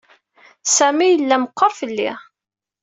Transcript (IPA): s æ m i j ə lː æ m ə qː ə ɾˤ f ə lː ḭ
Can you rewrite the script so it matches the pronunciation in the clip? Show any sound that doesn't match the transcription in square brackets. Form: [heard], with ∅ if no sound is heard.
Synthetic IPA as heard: s æ m i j ə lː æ m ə qː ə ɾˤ f ə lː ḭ